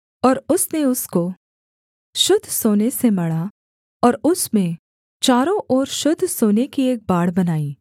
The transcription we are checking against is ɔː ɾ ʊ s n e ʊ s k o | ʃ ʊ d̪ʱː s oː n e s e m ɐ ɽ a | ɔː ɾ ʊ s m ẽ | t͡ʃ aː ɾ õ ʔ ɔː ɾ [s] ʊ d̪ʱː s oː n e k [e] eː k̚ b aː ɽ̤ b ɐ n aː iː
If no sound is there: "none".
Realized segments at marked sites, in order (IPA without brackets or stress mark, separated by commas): ʃ, i